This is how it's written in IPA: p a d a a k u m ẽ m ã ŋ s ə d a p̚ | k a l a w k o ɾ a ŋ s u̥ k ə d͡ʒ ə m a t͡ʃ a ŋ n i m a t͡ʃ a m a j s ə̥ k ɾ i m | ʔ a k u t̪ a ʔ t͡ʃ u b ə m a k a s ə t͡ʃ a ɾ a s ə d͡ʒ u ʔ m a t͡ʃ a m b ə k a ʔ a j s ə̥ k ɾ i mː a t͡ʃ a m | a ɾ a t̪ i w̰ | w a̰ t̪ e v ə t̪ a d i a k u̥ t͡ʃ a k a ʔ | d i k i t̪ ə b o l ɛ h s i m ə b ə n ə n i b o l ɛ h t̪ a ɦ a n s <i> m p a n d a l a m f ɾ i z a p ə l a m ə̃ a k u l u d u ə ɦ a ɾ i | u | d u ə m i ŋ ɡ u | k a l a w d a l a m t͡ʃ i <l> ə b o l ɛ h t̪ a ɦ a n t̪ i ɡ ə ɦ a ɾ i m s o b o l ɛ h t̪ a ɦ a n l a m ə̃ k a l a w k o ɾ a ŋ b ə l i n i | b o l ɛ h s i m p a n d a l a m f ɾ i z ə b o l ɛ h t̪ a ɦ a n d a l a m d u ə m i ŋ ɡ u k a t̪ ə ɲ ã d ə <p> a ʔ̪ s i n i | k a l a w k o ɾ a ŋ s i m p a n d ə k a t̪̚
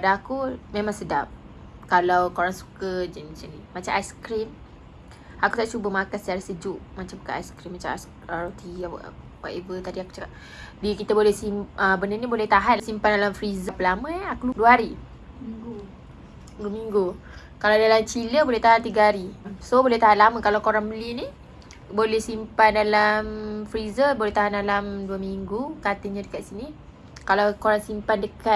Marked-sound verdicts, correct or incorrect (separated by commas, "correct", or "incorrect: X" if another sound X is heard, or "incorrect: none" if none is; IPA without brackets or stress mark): correct, correct, incorrect: k